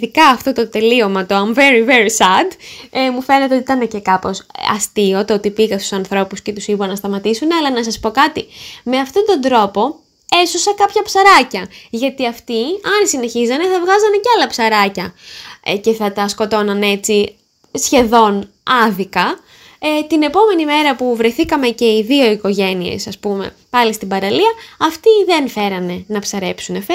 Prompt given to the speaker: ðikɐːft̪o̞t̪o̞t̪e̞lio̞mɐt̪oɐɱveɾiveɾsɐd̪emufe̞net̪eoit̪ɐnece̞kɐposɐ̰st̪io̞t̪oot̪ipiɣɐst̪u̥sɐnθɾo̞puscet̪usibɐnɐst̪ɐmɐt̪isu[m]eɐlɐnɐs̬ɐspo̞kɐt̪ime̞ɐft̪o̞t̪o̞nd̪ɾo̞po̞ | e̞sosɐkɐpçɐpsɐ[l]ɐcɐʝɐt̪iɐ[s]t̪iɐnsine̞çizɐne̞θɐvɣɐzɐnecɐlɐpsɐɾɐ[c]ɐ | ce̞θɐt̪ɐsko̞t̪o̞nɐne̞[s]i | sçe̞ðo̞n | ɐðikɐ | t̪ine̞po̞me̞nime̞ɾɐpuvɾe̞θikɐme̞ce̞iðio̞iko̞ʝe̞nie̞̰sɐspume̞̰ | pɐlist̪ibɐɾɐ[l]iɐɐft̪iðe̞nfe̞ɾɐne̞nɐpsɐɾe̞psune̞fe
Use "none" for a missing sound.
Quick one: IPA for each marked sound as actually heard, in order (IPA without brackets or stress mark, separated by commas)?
n, ɾ, f, c, t͡s, l